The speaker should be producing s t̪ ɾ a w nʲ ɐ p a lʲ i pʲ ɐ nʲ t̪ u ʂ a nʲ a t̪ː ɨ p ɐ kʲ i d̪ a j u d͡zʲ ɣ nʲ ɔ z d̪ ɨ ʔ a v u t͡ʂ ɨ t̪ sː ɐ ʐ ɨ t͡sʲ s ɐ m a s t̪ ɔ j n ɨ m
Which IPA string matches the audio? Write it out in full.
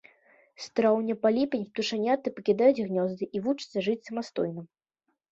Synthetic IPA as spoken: s t̪ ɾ a w nʲ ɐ p a lʲ i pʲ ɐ nʲ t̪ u ʂ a nʲ a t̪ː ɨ p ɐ kʲ i d̪ a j u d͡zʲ ɣ nʲ ɔ z d̪ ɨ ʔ i v u t͡ʂ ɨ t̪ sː ɐ ʐ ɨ t͡sʲ s ɐ m a s t̪ ɔ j n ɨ m